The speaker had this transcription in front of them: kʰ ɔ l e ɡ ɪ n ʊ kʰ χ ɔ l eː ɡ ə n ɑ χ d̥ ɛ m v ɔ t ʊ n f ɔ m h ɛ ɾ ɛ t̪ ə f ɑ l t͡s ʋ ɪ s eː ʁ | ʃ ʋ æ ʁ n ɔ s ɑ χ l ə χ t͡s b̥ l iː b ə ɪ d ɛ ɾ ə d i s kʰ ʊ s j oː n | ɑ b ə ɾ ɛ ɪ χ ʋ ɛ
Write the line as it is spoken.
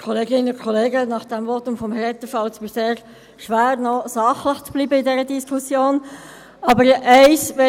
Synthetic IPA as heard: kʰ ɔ l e ɡ ɪ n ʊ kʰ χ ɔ l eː ɡ ə n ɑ χ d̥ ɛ m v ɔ t ʊ m f ɔ m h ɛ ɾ ɛ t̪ ə f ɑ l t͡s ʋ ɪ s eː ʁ | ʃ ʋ æː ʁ n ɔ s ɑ χ l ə χ t͡s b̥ l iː b ə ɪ d ɛ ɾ ə d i s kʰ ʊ s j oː n | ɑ b ə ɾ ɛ ɪ s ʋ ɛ